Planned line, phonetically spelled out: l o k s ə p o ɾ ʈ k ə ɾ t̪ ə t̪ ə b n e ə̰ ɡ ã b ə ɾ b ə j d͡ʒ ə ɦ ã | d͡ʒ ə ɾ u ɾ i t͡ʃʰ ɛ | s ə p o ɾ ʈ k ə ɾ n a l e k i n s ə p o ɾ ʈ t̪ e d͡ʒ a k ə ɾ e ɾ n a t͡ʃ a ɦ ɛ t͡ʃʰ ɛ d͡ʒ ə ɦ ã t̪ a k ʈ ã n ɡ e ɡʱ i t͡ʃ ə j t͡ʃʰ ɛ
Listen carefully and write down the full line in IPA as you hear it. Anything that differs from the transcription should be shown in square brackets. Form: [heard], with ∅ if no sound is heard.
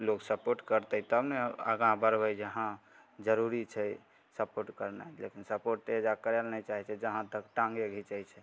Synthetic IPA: l o k s ə p o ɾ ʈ k ə ɾ t̪ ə t̪ ə b n e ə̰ ɡ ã b ə ɾ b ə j d͡ʒ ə ɦ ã | d͡ʒ ə ɾ u ɾ i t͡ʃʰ ɛ | s ə p o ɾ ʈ k ə ɾ n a l e k i n s ə p o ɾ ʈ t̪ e d͡ʒ a k ə ɾ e [l] n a t͡ʃ a ɦ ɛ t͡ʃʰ ɛ d͡ʒ ə ɦ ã t̪ [ə] k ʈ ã [ŋ] ɡ e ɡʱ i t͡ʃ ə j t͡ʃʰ ɛ

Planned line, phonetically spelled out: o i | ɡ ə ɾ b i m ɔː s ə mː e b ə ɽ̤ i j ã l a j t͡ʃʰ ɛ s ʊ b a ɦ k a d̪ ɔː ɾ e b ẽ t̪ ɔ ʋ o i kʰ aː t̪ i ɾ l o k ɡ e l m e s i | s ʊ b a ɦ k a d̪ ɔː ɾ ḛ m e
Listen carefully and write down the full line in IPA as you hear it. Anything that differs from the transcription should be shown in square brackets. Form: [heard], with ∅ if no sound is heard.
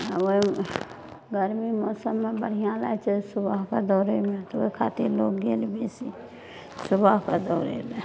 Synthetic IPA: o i | ɡ ə ɾ [m] i m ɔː s ə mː e b ə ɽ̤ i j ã l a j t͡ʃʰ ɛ s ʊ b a ɦ k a d̪ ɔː ɾ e [m] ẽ t̪ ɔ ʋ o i kʰ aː t̪ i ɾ l o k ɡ e l [b] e s i | s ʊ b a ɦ k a d̪ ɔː ɾ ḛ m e

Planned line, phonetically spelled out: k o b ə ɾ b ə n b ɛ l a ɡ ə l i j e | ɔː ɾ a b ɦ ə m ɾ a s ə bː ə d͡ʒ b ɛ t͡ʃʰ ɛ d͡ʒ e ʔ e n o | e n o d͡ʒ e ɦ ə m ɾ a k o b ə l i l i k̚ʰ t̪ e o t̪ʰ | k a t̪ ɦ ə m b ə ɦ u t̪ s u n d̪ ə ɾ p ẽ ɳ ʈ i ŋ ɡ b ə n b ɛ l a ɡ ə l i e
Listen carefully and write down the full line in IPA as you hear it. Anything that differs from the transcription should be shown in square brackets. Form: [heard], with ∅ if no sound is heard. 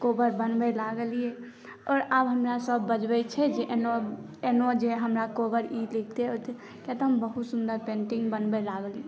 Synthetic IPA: k o b ə ɾ b ə n b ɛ l a ɡ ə l i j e | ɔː ɾ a b ɦ ə m ɾ a s ə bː ə d͡ʒ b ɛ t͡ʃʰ ɛ d͡ʒ e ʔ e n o | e n o d͡ʒ e ɦ ə m ɾ a k o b ə [ɾ] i l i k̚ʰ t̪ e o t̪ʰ | k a t̪ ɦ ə m b ə ɦ u t̪ s u n d̪ ə ɾ p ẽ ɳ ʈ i ŋ ɡ b ə n b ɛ l a ɡ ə l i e

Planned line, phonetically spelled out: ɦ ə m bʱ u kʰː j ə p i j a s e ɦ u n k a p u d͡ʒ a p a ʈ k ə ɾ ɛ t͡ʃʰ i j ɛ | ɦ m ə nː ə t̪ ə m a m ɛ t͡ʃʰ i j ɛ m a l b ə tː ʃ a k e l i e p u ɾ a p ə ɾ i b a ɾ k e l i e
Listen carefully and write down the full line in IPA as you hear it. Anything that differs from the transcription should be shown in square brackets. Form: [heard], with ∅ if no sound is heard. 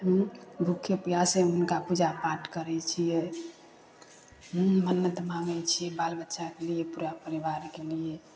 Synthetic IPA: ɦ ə m bʱ u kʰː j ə p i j a s e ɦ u n k a p u d͡ʒ a p a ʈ k ə ɾ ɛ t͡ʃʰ i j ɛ | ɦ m ə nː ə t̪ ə m a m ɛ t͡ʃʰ i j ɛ [b] a l b ə tː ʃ a k e l i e p u ɾ a p ə ɾ i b a ɾ k e l i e

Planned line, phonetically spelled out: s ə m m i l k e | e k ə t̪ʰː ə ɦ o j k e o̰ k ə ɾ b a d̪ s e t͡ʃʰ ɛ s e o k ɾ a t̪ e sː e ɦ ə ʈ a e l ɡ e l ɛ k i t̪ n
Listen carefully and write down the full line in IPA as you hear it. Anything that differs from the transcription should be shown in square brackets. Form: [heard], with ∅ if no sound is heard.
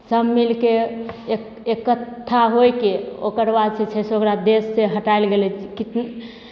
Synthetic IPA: s ə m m i l k e | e k ə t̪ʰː [a] ɦ o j k e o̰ k ə ɾ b a d̪ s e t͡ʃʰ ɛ s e o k ɾ a [d̪] e sː e ɦ ə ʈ a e l ɡ e l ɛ k i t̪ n

